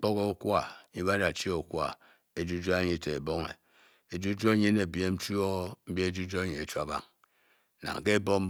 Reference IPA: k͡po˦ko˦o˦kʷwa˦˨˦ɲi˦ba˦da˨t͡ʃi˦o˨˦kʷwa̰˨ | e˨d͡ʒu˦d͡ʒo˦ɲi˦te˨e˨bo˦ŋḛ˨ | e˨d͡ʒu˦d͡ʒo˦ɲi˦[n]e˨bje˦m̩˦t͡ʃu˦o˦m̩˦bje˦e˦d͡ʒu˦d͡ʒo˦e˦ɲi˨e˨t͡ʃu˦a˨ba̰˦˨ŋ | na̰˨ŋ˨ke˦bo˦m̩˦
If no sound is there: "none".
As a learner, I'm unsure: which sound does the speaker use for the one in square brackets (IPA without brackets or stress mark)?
n